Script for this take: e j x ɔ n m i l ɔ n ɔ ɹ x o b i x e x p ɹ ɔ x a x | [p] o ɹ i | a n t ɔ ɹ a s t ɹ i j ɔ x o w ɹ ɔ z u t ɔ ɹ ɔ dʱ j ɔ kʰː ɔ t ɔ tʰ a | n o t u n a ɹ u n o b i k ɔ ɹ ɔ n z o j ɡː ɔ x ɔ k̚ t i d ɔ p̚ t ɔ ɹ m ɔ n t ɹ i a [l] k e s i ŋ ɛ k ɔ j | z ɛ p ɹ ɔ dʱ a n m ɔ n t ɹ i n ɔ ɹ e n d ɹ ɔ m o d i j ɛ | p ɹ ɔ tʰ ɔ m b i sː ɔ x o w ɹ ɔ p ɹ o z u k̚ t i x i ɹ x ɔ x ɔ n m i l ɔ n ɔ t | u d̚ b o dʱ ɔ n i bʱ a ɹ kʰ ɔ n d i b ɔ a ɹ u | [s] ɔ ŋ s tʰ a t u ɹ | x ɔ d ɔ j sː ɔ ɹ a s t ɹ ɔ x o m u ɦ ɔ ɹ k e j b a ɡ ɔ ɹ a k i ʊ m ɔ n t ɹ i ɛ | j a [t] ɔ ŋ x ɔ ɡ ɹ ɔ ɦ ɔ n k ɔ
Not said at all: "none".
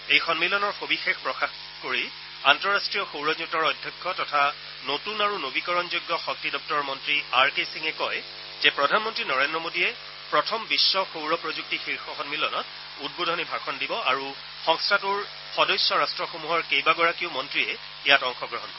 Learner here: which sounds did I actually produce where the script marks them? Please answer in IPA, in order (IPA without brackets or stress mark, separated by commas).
k, ɹ, x, t